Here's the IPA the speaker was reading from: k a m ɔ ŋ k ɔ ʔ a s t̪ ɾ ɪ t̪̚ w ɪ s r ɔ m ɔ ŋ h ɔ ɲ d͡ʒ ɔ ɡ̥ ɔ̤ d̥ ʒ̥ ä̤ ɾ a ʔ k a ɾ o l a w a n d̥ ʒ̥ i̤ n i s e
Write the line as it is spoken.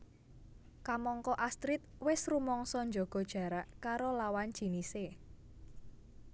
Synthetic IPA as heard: k a m ɔ ŋ k ɔ ʔ a s t̪ ɾ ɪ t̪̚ w ɪ s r u m ɔ ŋ s ɔ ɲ d͡ʒ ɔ ɡ̥ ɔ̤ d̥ ʒ̥ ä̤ ɾ a ʔ k a ɾ o l a w a n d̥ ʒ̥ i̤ n i s e